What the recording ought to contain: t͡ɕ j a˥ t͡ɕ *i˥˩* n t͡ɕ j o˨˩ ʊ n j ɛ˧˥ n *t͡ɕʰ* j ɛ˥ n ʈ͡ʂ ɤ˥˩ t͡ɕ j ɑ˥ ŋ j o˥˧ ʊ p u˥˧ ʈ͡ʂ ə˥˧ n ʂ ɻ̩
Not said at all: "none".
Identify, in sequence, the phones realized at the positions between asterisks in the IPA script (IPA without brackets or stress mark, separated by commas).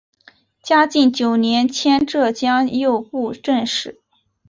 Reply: i˥˩, t͡ɕʰ